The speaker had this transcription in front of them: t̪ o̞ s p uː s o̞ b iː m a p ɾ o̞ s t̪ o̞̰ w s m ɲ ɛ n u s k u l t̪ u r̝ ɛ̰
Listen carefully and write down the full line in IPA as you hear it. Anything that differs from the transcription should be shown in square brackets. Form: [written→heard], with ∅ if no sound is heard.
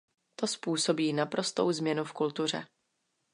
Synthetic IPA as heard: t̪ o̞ s p uː s o̞ b iː [m→n] a p ɾ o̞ s t̪ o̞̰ w [s→z] m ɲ ɛ n u [s→f] k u l t̪ u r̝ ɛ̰